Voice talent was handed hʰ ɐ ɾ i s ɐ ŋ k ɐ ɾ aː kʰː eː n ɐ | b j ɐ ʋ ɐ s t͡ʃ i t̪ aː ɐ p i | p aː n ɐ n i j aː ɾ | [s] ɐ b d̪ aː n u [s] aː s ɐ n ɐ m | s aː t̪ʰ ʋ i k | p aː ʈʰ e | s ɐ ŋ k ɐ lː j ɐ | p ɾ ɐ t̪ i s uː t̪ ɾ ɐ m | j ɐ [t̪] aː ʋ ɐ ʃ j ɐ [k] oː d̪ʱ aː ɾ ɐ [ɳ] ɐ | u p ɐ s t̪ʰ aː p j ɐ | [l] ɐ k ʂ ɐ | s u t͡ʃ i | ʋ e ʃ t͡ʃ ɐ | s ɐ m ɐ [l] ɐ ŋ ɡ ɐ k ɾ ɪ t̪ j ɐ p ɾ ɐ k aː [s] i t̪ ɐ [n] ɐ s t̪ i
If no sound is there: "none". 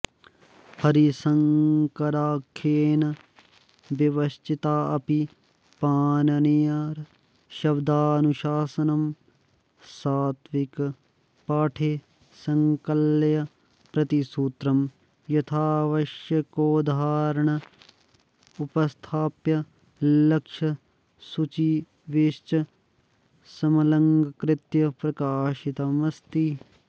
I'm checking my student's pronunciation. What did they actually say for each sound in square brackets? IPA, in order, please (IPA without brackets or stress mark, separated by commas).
ʃ, ʃ, t̪ʰ, k, ɳ, l, l, ʃ, m